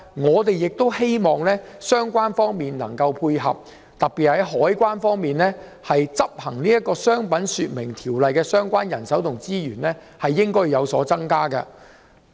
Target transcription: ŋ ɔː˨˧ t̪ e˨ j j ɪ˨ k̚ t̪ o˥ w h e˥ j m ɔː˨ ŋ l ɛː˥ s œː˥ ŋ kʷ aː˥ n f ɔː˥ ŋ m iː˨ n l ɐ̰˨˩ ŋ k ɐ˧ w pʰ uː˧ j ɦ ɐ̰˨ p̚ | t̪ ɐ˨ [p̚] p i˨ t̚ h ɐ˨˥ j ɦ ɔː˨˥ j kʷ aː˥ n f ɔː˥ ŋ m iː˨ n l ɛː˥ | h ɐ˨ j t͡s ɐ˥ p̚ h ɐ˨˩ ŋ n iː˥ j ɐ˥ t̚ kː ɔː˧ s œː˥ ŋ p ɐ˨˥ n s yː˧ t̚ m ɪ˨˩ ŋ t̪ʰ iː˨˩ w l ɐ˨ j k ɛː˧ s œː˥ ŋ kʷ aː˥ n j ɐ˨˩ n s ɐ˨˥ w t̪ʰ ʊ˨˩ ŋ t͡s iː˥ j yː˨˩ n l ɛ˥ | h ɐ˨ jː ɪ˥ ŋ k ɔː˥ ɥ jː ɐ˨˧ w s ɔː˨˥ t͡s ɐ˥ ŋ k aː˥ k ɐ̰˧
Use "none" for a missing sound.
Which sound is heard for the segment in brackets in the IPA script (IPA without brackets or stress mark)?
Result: k̚